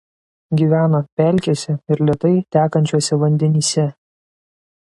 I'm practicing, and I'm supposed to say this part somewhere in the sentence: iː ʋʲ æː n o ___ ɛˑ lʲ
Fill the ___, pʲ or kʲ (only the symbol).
pʲ